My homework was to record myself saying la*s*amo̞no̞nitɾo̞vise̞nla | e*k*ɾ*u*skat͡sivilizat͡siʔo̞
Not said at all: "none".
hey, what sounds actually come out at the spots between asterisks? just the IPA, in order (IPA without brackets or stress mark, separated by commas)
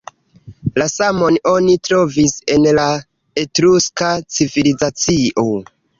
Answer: s, t, u